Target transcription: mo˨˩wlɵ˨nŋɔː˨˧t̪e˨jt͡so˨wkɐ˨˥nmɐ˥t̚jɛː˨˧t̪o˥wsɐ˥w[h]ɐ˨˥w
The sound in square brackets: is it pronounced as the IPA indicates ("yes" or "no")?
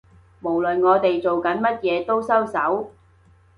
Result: no